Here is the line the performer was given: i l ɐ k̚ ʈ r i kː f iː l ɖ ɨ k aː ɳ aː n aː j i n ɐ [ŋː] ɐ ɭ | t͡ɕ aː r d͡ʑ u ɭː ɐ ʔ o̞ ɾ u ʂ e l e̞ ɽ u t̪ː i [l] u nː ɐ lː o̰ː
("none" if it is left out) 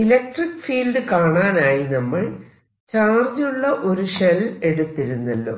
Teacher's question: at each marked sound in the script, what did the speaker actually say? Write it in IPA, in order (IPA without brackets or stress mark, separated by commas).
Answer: mː, ɾ